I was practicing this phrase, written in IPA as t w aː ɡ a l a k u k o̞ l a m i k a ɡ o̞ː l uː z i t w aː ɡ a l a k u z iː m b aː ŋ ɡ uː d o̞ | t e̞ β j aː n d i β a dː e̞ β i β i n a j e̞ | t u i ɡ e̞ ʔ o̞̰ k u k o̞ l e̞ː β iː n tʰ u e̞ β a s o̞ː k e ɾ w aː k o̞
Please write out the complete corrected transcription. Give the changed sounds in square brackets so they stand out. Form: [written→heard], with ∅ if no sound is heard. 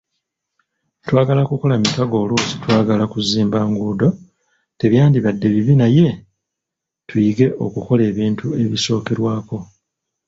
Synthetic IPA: t w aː ɡ a l a k u k o̞ l a m i k a ɡ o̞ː l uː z i t w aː ɡ a l a k u z iː m b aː ŋ ɡ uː d o̞ | t e̞ β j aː n d i β a dː e̞ β i β i n a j e̞ | t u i ɡ e̞ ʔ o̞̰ k u k o̞ l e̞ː β iː n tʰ u e̞ β [a→i] s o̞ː k e ɾ w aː k o̞